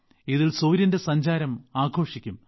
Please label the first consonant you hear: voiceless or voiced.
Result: voiced